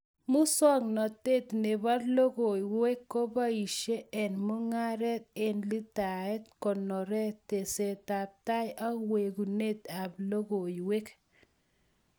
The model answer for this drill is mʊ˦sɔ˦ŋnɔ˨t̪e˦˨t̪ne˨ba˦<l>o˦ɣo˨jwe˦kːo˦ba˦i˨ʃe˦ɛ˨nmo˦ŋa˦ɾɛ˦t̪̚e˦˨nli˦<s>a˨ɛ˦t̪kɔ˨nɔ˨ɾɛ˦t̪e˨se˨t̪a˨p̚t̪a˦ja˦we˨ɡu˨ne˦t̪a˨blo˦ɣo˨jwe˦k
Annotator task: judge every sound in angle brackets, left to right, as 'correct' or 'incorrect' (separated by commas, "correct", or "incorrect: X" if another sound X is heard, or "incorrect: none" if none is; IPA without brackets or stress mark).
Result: correct, incorrect: t